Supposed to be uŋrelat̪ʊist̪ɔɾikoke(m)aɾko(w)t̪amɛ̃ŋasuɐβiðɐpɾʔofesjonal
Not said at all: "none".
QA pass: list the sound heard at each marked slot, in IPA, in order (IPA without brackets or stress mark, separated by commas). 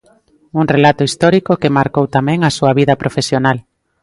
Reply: m, w